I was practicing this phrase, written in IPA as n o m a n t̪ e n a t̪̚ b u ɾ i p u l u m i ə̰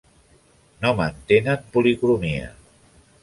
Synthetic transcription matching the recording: n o m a n t̪ e n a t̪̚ p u l i k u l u m i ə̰

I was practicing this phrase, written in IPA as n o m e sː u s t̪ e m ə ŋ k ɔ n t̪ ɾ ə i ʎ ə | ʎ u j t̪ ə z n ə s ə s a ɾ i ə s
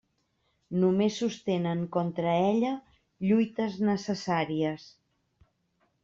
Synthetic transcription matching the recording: n u m e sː u s t̪ e n ə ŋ k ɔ n t̪ ɾ ə ɛ ʎ ə | ʎ u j t̪ ə z n ə s ə s a ɾ i ə s

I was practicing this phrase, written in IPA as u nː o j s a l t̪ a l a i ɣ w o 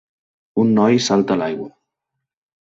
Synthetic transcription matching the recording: u nː ɔ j s a l t̪ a l a j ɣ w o

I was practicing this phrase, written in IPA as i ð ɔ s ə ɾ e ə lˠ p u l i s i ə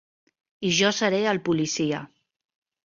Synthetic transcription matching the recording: i ʒ ɔ s ə ɾ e ə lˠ p u l i s i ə

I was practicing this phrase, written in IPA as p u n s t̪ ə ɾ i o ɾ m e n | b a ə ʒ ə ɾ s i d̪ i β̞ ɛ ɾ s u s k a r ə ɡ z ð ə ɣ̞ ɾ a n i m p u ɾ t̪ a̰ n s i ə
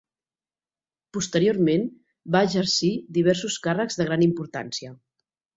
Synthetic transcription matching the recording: p u s t̪ ə ɾ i o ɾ m e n | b a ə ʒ ə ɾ s i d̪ i β̞ ɛ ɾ s u s k a r ə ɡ z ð ə ɣ̞ ɾ a n i m p u ɾ t̪ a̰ n s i ə

